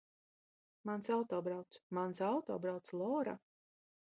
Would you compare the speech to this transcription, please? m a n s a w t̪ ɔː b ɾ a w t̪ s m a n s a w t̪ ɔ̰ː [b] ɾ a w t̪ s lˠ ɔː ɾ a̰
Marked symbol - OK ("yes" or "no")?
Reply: yes